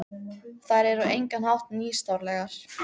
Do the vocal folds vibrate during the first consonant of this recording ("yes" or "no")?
no